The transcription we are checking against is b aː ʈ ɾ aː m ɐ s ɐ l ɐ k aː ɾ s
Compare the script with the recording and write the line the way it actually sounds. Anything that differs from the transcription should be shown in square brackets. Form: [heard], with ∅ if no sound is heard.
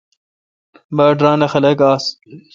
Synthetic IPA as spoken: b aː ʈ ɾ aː [n] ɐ [x] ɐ l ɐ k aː [∅] s